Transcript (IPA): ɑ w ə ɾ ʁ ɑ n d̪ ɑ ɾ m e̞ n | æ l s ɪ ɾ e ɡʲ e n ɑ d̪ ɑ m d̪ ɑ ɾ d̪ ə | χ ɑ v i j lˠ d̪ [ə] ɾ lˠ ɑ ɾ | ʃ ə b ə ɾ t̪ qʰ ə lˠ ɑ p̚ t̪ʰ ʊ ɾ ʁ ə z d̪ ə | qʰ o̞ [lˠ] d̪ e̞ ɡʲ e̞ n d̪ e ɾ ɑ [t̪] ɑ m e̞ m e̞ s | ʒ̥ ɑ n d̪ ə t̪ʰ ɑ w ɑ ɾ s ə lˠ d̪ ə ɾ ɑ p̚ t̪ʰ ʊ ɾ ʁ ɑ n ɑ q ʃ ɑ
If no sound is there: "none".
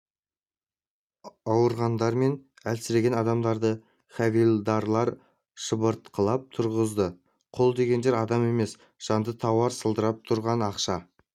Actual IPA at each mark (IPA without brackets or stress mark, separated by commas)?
ɑ, lˠ, d̪